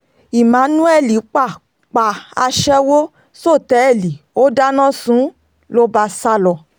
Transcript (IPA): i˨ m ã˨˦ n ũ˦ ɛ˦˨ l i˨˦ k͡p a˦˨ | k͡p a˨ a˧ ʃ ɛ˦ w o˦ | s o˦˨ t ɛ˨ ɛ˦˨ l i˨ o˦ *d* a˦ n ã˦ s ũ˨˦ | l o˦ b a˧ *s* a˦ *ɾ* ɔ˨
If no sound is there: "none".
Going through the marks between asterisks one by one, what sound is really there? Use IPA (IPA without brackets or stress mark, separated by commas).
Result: d, s, l